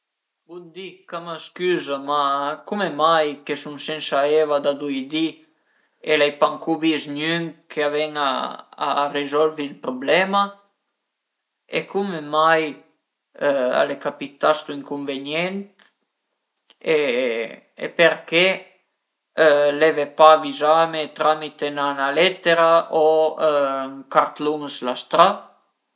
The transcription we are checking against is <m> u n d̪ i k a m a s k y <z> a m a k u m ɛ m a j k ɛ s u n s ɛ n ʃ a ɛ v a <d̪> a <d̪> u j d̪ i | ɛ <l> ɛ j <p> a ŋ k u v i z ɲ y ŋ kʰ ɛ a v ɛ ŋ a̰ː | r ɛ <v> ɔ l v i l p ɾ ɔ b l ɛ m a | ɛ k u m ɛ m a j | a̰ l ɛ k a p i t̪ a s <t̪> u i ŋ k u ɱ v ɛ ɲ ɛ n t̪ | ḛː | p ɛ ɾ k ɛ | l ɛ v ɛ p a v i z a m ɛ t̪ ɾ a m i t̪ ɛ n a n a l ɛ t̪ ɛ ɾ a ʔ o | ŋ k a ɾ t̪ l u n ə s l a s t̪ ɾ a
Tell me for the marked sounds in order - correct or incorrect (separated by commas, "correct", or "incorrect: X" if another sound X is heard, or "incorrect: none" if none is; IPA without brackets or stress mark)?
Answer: incorrect: b, correct, correct, correct, correct, correct, incorrect: z, correct